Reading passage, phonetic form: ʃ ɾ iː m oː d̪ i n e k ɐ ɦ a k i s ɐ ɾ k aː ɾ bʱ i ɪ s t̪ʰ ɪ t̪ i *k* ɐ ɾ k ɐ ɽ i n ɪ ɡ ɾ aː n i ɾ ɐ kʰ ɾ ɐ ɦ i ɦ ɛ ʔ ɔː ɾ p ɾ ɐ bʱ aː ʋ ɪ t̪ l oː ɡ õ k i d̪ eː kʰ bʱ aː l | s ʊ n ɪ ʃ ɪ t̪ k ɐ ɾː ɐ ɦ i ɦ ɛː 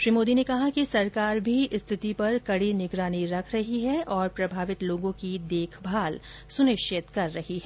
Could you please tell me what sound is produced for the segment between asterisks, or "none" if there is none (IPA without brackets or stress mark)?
p